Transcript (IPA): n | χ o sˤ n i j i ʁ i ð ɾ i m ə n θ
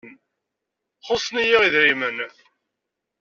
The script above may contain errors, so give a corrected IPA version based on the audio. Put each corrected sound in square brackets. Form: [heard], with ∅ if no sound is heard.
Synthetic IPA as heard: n | χ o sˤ n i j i ʁ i ð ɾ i m ə n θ